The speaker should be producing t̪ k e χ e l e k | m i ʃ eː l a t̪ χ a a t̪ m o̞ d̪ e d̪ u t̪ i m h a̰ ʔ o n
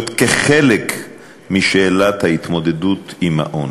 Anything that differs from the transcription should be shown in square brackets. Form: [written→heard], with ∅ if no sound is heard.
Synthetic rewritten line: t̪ k e χ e l e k | m i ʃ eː l a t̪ [χ→h] a [a→i] t̪ m o̞ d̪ e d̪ u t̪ i m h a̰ ʔ o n